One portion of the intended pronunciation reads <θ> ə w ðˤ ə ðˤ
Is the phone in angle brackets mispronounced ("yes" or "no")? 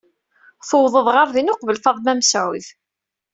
no